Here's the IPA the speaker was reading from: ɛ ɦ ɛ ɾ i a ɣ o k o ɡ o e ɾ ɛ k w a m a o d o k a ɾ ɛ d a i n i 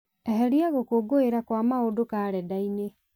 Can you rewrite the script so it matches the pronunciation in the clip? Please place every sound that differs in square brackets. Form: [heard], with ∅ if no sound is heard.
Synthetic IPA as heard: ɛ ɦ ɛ ɾ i a ɣ o k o ɡ o e ɾ [a] k w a m a o d o k a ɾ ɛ d a i n [e]